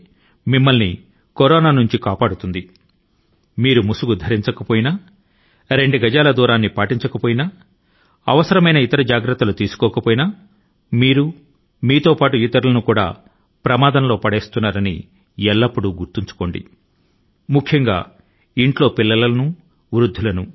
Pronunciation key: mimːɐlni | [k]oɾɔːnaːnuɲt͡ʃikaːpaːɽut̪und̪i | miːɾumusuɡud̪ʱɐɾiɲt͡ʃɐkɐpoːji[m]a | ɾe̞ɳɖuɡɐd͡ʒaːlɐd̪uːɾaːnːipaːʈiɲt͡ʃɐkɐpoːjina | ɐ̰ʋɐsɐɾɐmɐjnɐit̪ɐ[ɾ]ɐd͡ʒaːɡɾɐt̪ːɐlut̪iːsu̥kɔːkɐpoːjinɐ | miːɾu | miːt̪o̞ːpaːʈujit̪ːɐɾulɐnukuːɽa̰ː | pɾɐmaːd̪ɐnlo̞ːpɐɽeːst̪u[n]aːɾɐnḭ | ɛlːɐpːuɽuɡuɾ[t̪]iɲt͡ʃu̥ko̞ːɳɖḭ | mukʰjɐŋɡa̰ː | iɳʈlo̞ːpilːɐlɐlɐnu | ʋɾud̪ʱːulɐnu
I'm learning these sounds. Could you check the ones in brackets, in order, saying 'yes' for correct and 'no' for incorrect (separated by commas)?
yes, no, yes, no, yes